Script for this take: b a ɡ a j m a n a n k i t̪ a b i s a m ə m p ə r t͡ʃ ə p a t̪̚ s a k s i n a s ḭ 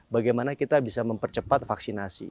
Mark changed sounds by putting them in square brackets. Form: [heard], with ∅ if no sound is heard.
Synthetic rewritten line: b a ɡ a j m a n a [∅] k i t̪ a b i s a m ə m p ə r t͡ʃ ə p a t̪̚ [f] a k s i n a s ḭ